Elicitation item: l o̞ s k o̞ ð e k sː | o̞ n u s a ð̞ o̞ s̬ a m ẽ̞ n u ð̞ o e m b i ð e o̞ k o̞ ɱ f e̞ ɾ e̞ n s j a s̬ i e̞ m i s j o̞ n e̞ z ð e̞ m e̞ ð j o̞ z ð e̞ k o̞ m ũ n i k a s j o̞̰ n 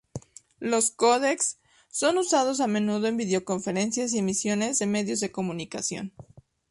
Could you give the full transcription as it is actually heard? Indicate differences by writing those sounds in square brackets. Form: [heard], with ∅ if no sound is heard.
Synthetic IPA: l o̞ s k o̞ ð e k sː | o̞ n u s a ð̞ o̞ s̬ a m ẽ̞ n u ð̞ o e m b i ð e o̞ k o̞ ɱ f e̞ ɾ e̞ n s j a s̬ i e̞ m i s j o̞ n e̞ z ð e̞ m e̞ ð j o̞ z ð e̞ k o̞ m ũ n i k a s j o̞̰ n